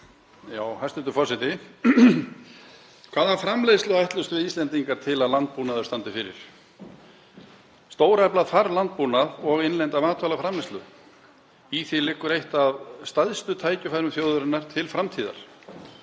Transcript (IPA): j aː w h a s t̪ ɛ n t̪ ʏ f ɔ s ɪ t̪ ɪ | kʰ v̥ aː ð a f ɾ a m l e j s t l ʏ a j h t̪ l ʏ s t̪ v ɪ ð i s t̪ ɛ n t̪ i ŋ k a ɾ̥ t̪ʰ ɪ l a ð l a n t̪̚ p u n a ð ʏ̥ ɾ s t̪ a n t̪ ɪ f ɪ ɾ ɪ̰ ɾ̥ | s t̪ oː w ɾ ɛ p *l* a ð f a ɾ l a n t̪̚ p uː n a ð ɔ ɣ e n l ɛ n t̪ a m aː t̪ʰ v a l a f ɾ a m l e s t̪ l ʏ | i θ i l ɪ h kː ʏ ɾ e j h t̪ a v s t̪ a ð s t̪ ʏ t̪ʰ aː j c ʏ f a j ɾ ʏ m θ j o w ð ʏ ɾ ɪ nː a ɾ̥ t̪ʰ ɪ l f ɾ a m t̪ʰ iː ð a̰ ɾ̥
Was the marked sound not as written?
no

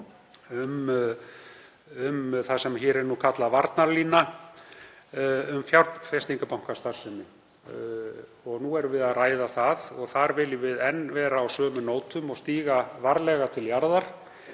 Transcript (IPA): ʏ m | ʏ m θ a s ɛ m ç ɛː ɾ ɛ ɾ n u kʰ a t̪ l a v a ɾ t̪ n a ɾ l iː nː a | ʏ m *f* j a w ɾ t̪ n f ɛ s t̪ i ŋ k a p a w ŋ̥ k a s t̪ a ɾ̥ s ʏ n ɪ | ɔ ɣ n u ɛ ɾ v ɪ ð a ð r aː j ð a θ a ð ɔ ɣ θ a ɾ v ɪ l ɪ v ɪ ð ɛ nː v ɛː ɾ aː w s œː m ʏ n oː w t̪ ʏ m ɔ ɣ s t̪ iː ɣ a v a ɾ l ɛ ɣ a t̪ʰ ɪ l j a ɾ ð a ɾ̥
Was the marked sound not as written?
no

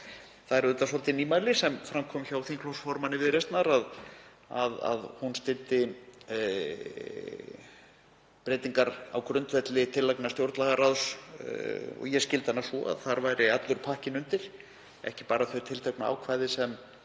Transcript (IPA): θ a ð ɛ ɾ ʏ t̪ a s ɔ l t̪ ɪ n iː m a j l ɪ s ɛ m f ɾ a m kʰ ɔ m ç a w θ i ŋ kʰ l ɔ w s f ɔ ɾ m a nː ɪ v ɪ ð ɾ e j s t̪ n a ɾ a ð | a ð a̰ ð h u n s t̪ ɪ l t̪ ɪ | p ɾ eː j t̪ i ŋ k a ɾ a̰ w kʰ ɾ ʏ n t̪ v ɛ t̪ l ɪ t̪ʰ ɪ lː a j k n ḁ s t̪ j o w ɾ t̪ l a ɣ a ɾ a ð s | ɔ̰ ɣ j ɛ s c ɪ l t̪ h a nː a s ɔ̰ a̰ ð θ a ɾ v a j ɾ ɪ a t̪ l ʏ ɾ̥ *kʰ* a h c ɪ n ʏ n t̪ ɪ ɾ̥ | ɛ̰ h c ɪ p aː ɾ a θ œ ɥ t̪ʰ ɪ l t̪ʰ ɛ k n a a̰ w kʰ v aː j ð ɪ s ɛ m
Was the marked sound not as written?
yes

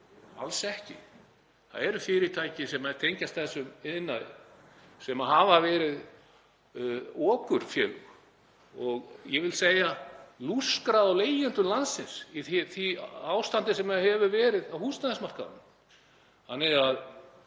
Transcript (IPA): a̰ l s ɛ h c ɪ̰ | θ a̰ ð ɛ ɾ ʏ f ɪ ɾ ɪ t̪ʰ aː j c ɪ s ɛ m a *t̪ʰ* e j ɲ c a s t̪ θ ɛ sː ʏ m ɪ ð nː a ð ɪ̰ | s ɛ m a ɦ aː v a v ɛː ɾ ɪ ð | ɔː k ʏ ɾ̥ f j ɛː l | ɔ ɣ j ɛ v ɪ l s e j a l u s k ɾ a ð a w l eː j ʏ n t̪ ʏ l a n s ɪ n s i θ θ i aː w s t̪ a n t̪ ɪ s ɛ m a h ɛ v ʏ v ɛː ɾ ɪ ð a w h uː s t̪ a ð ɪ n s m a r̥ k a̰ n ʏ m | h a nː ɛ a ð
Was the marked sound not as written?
no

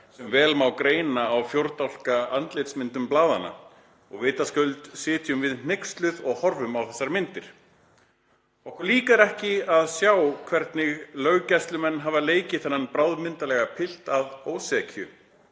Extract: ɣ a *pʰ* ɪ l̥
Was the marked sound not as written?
no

